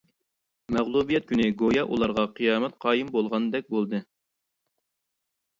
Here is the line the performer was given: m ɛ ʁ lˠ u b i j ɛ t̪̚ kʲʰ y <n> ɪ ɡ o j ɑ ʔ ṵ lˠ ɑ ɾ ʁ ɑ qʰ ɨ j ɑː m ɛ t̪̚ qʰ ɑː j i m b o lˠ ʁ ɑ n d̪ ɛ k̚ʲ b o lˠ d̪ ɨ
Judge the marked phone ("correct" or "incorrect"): correct